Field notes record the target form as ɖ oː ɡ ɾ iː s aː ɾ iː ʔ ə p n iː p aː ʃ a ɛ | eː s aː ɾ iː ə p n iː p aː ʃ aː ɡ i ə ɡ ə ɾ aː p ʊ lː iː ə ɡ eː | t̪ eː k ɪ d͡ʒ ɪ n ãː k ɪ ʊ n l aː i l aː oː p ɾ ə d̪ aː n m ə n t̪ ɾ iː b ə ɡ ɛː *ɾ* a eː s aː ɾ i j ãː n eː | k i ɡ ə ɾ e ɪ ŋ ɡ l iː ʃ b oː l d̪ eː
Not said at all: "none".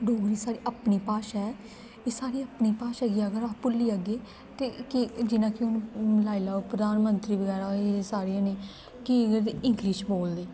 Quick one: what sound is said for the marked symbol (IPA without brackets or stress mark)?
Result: ɾ